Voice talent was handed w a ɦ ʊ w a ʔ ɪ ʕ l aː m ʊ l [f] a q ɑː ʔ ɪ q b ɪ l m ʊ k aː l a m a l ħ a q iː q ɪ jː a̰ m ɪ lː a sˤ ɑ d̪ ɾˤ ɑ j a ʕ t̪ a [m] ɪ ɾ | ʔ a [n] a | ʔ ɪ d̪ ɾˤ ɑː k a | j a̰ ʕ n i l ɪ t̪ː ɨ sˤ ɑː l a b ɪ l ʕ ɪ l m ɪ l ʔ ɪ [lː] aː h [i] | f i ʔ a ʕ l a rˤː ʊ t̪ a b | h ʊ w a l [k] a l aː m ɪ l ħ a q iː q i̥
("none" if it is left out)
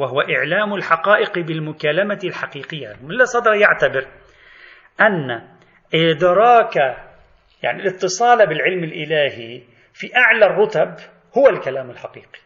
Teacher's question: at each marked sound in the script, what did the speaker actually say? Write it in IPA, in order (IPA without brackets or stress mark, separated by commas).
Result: ħ, b, nː, l, i, k